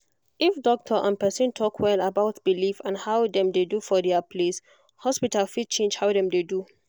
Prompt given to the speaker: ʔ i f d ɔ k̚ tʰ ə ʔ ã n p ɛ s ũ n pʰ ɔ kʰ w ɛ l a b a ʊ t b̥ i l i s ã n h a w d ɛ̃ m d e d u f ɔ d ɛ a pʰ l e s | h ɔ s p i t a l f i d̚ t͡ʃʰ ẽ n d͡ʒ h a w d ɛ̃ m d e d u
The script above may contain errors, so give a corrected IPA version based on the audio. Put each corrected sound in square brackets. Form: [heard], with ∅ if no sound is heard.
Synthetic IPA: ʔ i f d ɔ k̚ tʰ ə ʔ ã n p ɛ s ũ n [tʰ] ɔ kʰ w ɛ l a b a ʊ t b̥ i l i [f] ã n h a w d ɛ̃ m d e d u f ɔ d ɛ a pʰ l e s | h ɔ s p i t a l f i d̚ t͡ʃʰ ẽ n d͡ʒ h a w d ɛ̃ m d e d u